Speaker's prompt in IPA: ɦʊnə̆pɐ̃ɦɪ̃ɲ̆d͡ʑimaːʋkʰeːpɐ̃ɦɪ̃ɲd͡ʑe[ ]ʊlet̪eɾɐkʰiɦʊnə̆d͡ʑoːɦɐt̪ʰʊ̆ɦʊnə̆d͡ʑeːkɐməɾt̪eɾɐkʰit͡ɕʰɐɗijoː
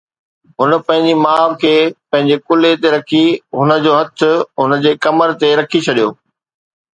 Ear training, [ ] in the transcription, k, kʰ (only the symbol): k